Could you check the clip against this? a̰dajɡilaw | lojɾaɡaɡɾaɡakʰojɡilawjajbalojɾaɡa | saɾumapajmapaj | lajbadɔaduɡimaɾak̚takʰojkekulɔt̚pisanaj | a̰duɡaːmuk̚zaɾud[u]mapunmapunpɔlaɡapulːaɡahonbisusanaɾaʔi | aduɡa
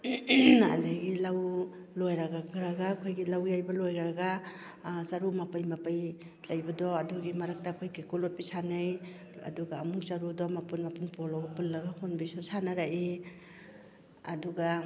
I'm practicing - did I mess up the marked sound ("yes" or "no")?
yes